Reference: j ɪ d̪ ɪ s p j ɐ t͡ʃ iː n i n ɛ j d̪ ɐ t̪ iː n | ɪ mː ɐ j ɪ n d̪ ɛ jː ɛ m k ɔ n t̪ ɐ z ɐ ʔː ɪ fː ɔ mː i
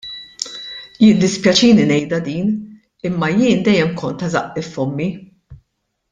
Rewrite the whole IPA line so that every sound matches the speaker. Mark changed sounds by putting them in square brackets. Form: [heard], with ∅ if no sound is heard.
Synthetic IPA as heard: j ɪ d̪ ɪ s p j ɐ t͡ʃ iː n i n ɛ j d̪ ɐ [d̪] iː n | ɪ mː ɐ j [ɪː] n d̪ ɛ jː ɛ m k ɔ n t̪ ɐ z ɐ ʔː ɪ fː ɔ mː i